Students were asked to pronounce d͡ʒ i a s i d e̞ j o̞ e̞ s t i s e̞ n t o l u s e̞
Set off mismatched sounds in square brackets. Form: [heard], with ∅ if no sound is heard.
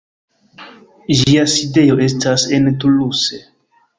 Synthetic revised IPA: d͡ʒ i a s i d e̞ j o̞ e̞ s t [a] s e̞ n t [u] l u s e̞